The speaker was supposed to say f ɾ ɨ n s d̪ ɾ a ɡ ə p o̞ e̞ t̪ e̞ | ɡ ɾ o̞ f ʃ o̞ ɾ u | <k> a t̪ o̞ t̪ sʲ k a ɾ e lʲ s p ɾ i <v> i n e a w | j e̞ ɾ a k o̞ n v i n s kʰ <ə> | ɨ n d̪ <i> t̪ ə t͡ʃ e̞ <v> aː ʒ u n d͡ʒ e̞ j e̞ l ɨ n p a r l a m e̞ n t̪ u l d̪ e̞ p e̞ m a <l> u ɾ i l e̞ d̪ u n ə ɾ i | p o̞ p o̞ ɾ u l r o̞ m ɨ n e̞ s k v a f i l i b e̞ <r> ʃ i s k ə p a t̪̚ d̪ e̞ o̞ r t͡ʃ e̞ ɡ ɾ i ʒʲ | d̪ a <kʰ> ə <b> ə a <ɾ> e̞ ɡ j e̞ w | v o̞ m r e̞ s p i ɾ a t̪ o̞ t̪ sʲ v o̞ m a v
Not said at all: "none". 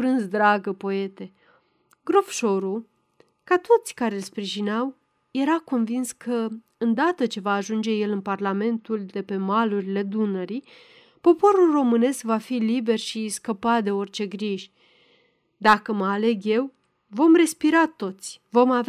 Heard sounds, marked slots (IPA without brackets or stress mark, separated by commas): k, ʒ, ə, a, v, l, r, k, m, l